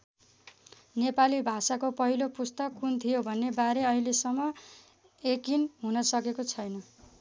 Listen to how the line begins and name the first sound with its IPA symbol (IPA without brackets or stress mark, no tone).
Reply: n